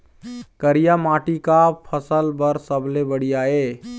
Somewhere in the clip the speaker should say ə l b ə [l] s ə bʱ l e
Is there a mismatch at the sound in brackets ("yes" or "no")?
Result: yes